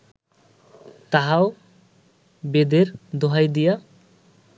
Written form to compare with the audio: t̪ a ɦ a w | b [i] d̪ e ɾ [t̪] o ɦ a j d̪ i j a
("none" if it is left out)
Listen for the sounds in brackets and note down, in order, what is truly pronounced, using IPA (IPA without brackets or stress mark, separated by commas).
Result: e, d̪